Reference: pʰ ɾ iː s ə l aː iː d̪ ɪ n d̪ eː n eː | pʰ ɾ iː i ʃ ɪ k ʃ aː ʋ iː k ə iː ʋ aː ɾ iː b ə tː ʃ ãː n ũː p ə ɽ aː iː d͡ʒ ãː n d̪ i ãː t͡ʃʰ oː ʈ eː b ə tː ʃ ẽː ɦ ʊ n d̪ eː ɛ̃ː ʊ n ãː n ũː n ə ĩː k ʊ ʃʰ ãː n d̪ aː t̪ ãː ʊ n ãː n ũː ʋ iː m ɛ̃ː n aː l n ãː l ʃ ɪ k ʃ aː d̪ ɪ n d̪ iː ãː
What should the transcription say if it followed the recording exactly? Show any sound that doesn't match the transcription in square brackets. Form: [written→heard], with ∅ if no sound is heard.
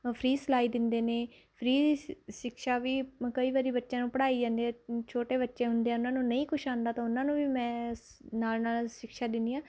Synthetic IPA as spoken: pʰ ɾ iː s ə l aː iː d̪ ɪ n d̪ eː n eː | pʰ ɾ iː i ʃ ɪ k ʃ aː ʋ iː k ə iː ʋ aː ɾ iː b ə tː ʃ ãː n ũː p ə ɽ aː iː d͡ʒ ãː n d̪ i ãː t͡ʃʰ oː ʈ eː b ə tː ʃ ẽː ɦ ʊ n d̪ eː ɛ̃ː ʊ n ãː n ũː n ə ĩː k ʊ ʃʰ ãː n d̪ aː t̪ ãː ʊ n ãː n ũː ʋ iː m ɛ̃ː n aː l n [ãː→aː] l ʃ ɪ k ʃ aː d̪ ɪ n d̪ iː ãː